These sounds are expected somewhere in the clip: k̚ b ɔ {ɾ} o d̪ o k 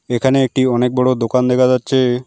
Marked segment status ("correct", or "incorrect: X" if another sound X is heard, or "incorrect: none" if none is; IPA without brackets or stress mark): incorrect: ɽ